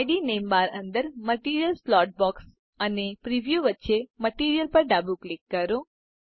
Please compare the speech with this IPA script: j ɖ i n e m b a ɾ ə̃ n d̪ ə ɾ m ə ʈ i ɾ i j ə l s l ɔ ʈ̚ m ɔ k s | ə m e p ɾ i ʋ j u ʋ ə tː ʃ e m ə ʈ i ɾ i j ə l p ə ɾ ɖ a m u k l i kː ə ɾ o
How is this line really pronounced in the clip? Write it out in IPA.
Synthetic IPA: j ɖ i n e m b a ɾ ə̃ n d̪ ə ɾ m ə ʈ i ɾ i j ə l s l ɔ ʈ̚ b ɔ k s | ə n e p ɾ i ʋ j u ʋ ə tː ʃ e m ə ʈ i ɾ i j ə l p ə ɾ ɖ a b u k l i kː ə ɾ o